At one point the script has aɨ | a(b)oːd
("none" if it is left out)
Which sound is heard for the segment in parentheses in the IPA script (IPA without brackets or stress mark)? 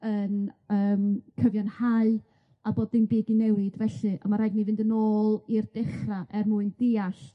b